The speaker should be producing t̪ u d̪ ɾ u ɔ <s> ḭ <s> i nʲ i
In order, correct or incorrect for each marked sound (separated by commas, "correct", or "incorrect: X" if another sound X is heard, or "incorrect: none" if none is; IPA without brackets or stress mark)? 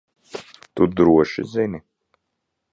incorrect: ʃ, incorrect: z